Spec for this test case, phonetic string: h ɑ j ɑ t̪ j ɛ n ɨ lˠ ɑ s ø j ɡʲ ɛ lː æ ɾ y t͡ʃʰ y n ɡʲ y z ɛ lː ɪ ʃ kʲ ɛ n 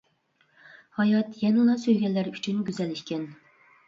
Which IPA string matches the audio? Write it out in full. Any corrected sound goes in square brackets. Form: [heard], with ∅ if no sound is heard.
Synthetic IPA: h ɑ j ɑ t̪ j ɛ n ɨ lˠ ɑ s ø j ɡʲ ɛ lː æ ɾ y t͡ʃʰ y n ɡʲ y z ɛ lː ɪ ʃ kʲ ɛ n

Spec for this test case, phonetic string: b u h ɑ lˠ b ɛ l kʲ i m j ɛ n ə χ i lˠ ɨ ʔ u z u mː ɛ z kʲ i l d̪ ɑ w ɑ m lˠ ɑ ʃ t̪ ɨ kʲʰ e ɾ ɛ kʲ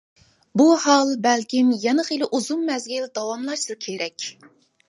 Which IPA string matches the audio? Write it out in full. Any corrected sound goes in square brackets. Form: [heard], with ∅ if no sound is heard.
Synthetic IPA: b u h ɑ lˠ b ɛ l kʲ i m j ɛ n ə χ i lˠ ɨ ʔ u z u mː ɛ z [ɡʲ] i l d̪ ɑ w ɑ m lˠ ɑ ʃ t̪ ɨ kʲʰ e ɾ ɛ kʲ

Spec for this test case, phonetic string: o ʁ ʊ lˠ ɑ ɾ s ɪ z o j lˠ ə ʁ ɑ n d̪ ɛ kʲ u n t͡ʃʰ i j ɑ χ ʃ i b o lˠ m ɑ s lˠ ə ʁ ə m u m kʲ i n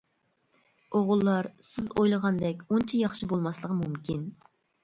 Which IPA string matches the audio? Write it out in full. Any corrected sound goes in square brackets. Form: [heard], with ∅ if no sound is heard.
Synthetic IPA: o ʁ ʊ [lˠː] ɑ ɾ s ɪ z o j lˠ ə ʁ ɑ n d̪ ɛ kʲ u n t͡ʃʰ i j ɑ χ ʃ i b o lˠ m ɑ s lˠ ə ʁ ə m u m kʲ i n

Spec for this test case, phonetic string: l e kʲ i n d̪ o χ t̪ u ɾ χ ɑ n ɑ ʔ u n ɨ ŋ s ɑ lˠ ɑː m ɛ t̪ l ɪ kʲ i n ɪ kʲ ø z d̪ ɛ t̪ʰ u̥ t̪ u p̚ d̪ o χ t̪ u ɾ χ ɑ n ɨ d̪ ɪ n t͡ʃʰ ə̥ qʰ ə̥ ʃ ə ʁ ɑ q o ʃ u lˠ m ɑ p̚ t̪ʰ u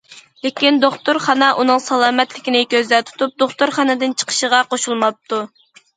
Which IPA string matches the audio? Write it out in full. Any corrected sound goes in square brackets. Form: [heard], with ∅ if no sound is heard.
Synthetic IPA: l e kʲ i n d̪ o χ t̪ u ɾ χ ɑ n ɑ ʔ u n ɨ ŋ s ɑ lˠ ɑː m ɛ t̪ l ɪ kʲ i n ɪ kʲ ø z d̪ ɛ t̪ʰ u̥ t̪ u p̚ d̪ o χ t̪ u ɾ χ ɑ n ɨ d̪ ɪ n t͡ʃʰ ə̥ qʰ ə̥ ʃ ə ʁ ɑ q o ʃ u lˠ m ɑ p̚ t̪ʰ u

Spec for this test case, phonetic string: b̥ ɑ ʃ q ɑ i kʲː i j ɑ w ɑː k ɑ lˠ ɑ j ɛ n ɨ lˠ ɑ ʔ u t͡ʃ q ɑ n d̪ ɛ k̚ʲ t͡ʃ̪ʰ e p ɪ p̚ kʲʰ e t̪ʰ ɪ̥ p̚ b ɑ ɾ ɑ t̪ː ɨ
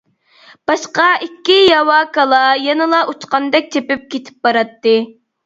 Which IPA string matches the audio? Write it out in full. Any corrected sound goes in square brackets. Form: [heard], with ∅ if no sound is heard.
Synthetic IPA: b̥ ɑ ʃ q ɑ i kʲː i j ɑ w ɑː k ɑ lˠ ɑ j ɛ n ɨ lˠ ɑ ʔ u t͡ʃ q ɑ n d̪ ɛ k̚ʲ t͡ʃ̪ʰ e p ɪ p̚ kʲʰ e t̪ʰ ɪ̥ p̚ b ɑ ɾ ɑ t̪ː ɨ

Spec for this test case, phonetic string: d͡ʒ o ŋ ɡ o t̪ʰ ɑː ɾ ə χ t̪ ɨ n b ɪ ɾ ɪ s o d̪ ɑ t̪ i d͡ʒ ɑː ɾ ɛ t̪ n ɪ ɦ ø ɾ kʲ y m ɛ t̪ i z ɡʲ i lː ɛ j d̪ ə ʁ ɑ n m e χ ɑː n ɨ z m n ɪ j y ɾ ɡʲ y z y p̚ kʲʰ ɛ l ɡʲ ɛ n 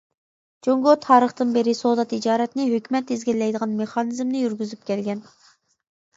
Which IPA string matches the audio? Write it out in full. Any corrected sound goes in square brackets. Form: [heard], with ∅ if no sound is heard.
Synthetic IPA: d͡ʒ o ŋ ɡ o t̪ʰ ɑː ɾ ə χ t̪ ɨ n b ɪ ɾ ɪ s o d̪ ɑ t̪ i d͡ʒ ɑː ɾ ɛ t̪ n ɪ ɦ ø [∅] kʲ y m ɛ t̪ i z ɡʲ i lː ɛ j d̪ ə ʁ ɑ n m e χ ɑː n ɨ z m n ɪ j y ɾ ɡʲ y z y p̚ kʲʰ ɛ l ɡʲ ɛ n

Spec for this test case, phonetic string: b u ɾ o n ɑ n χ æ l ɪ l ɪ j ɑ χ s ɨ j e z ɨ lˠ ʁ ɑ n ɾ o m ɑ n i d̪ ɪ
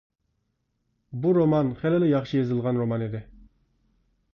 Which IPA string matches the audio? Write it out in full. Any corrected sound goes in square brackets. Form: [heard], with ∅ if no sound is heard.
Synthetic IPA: b u ɾ o [m] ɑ n χ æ l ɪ l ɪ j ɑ χ [ʃ] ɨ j e z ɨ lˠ ʁ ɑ n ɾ o m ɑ n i d̪ ɪ

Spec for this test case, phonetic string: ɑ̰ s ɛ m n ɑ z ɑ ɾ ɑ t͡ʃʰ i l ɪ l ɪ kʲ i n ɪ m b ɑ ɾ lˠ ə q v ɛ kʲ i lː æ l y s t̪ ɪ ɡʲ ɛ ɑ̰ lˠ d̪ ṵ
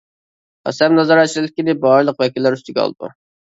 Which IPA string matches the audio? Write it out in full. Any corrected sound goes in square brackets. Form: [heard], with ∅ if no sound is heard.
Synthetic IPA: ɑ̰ s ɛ m n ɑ z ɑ ɾ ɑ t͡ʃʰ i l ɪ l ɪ kʲ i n ɪ [∅] b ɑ ɾ lˠ ə q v ɛ kʲ i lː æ [ɾ] y s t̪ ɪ ɡʲ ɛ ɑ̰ lˠ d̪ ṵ

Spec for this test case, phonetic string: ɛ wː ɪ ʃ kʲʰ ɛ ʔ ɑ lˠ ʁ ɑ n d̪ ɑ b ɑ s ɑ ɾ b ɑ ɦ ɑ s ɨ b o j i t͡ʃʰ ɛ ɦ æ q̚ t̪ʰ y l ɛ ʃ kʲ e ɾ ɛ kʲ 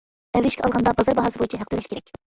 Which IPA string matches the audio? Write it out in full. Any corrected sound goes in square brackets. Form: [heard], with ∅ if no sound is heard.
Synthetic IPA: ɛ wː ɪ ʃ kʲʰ ɛ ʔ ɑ lˠ ʁ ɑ n d̪ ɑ b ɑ [z] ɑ ɾ b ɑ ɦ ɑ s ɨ b o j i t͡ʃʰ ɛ ɦ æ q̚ [t̪] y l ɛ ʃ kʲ e ɾ ɛ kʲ

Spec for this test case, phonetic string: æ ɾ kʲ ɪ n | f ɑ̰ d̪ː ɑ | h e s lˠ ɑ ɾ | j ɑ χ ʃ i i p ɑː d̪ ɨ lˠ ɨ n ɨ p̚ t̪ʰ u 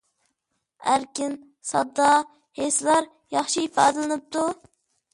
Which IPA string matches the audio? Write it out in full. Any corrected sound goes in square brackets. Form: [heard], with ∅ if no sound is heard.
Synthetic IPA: æ ɾ kʲ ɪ n | [s] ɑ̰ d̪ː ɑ | h e s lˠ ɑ ɾ | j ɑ χ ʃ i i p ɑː d̪ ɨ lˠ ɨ n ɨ p̚ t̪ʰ u

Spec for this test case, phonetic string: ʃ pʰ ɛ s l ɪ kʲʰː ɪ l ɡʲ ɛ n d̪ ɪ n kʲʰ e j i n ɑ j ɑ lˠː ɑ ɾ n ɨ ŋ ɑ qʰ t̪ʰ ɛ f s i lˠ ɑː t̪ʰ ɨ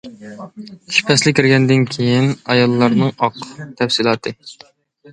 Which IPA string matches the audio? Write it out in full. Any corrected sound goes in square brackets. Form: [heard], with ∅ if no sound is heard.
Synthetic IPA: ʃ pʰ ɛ s l ɪ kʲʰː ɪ [ɾ] ɡʲ ɛ n d̪ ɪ n kʲʰ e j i n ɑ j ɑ lˠː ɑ ɾ n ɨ ŋ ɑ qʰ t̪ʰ ɛ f s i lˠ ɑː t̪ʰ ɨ

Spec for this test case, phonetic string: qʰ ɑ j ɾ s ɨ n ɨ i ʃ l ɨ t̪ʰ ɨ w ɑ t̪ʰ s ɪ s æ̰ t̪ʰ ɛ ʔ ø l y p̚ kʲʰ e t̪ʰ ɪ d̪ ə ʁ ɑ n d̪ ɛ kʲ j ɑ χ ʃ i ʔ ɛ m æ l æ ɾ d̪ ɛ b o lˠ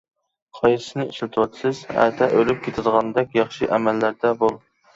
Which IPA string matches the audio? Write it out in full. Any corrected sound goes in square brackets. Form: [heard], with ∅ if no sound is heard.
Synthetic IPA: qʰ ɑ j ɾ s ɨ n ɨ i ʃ l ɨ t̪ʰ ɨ w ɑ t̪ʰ s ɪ [z] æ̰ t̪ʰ ɛ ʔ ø l y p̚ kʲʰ e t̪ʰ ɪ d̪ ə ʁ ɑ n d̪ ɛ kʲ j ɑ χ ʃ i ʔ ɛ m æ [lː] æ ɾ d̪ ɛ b o lˠ

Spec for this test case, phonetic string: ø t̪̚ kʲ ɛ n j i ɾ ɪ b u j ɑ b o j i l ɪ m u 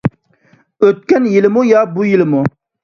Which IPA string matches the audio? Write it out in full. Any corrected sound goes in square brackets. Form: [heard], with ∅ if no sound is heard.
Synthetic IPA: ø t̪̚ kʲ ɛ n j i [l] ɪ [m] u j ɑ b [u] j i l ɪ m u

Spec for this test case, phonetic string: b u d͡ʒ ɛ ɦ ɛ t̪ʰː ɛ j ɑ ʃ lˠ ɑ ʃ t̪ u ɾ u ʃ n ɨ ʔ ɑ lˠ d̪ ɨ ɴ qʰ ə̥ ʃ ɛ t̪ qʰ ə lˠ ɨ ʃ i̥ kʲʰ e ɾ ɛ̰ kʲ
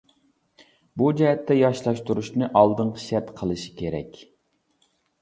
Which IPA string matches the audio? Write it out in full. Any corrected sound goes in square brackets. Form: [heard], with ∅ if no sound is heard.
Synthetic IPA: b u d͡ʒ ɛ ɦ ɛ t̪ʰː ɛ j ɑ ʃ lˠ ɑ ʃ t̪ u ɾ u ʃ n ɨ ʔ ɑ lˠ d̪ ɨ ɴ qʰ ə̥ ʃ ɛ t̪ qʰ ə lˠ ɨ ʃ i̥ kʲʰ e ɾ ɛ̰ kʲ

